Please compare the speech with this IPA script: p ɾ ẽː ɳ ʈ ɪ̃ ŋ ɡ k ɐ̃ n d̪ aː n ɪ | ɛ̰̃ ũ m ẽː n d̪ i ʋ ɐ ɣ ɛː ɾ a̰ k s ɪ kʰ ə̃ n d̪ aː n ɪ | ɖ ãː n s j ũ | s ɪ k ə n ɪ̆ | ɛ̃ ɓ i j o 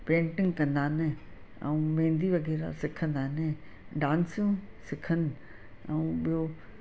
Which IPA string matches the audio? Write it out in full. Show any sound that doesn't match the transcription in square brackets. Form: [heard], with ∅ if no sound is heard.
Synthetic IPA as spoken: p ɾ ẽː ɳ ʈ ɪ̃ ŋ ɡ k ɐ̃ n d̪ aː n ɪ | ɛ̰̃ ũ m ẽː n d̪ i ʋ ɐ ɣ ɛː ɾ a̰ [∅] s ɪ kʰ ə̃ n d̪ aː n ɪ | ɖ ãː n s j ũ | s ɪ [kʰ] ə n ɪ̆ | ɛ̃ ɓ i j o